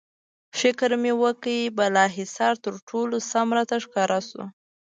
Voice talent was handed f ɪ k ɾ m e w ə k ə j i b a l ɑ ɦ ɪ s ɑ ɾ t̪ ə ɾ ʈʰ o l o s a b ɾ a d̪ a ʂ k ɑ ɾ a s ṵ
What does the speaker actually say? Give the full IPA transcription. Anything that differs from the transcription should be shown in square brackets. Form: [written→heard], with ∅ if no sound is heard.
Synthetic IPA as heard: f ɪ k ɾ m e w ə k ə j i b a l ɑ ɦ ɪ s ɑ ɾ t̪ ə ɾ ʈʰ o l o s a [b→m] ɾ a [d̪→t̪] a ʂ k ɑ ɾ a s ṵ